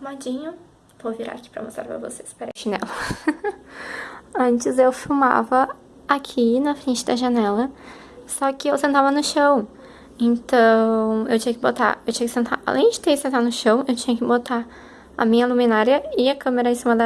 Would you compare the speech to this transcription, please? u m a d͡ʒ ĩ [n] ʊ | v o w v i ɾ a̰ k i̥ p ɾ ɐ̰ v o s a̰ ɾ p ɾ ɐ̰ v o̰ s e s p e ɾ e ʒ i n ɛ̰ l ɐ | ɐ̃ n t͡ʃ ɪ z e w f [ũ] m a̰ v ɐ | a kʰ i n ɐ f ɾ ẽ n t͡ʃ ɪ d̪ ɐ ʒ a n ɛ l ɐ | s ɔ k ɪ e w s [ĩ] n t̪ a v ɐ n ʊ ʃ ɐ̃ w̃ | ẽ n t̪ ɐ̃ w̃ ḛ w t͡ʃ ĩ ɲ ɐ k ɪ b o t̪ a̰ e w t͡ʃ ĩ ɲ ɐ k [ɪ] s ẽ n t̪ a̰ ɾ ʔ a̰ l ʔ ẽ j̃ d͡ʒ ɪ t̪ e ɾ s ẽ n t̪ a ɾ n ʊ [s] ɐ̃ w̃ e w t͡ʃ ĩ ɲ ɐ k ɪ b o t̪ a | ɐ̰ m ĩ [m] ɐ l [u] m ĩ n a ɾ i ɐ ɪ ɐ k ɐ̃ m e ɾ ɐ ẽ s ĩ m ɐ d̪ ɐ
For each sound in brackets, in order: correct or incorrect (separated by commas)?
incorrect, incorrect, incorrect, correct, incorrect, incorrect, correct